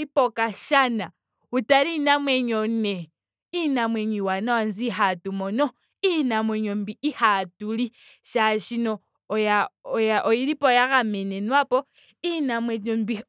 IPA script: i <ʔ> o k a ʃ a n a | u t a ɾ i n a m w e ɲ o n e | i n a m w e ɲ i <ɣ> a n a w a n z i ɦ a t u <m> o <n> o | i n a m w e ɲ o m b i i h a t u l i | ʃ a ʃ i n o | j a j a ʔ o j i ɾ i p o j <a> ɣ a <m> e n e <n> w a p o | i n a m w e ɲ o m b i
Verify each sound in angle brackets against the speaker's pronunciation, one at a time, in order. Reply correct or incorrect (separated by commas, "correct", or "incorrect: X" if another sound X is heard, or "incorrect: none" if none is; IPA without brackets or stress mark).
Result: incorrect: p, incorrect: w, correct, correct, correct, correct, correct